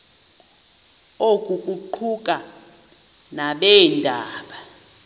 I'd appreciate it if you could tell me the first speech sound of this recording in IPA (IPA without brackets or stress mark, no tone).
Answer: o